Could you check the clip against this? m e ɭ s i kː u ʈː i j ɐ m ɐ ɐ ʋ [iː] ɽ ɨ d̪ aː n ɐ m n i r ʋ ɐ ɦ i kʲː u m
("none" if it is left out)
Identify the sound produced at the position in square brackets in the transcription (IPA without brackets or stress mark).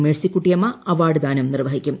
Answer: aː